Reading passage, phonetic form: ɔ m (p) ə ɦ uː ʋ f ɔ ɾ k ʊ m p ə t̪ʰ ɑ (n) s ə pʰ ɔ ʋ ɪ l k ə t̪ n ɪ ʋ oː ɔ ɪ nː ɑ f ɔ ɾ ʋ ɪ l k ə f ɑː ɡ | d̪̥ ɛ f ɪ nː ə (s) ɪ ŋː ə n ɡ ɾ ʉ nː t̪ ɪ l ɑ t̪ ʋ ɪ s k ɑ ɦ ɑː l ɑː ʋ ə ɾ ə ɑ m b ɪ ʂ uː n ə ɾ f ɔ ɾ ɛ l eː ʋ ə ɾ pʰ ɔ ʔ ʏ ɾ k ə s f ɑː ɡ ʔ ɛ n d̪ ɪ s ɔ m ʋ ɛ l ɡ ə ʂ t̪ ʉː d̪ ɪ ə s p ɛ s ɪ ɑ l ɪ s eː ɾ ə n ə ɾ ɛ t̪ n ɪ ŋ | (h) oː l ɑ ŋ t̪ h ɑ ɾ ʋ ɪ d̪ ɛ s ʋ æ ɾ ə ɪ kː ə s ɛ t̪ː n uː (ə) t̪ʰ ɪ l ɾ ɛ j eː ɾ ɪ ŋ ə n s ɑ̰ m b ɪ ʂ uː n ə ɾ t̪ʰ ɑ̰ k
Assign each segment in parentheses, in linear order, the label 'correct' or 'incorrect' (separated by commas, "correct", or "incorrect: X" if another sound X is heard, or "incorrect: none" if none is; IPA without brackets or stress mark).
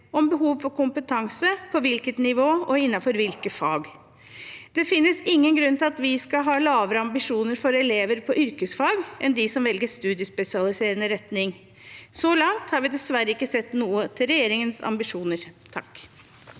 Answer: incorrect: b, incorrect: ŋ, correct, incorrect: s, correct